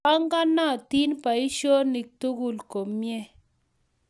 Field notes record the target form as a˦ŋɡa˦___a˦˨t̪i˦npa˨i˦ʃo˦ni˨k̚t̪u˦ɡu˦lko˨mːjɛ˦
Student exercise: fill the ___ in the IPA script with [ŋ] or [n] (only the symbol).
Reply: n